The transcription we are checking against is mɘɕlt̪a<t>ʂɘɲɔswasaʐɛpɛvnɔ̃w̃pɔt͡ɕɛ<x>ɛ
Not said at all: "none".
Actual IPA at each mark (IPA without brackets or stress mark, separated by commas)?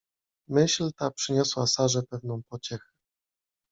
p, x